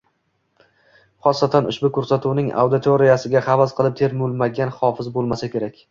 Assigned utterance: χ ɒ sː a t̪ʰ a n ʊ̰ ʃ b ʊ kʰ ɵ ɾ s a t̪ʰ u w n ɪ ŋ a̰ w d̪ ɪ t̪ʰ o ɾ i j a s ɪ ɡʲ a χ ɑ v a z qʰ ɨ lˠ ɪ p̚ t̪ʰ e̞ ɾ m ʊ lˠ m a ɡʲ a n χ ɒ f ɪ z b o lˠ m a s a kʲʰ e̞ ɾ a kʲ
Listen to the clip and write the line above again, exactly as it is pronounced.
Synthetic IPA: χ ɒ sː a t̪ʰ a n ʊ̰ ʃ b ʊ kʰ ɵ ɾ s a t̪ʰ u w n ɪ ŋ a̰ w d̪ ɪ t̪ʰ o ɾ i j a s ɪ ɡʲ a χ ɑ v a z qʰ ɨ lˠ ɪ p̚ t̪ʰ e̞ ɾ m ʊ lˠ m a ɡʲ a n χ ɒ f ɪ z b o lˠ m a s a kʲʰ e̞ ɾ a kʲ